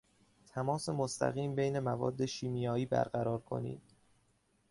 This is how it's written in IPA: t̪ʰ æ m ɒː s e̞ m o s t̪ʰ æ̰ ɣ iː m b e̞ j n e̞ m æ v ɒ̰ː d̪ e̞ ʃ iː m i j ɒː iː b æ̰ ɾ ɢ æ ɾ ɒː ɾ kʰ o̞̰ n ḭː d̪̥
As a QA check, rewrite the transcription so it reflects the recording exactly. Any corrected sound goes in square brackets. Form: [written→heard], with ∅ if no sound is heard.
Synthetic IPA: t̪ʰ æ m ɒː s e̞ m o s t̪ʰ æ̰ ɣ iː m b e̞ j n e̞ m æ v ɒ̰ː [d̪→d̪ː] e̞ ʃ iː m i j ɒː iː b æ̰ ɾ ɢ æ ɾ ɒː ɾ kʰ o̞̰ n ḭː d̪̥